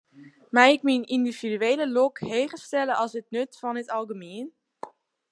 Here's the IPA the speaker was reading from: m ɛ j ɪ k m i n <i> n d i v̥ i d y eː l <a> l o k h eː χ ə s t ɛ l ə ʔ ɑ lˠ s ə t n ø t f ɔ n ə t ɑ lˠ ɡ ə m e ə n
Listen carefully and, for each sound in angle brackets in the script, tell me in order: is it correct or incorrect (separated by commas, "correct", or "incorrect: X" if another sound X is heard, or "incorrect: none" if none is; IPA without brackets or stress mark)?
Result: correct, incorrect: ə